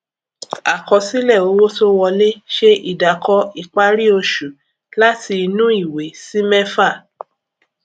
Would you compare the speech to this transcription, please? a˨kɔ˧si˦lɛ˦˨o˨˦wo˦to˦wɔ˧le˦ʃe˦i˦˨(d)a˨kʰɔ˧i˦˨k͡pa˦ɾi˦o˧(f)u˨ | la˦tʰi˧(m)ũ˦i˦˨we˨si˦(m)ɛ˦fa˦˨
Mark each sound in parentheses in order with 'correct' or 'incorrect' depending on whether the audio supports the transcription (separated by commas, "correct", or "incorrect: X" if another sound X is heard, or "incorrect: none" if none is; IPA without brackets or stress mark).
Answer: correct, incorrect: ʃ, incorrect: n, correct